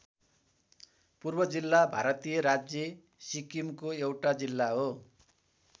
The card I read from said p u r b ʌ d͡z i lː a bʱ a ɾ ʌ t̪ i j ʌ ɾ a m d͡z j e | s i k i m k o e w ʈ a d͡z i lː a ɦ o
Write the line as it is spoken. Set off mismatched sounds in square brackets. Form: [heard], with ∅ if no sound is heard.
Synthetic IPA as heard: p u r b ʌ d͡z i lː a bʱ a ɾ ʌ t̪ i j ʌ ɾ a [∅] d͡z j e | s i k i m k o e w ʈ a d͡z i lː a ɦ o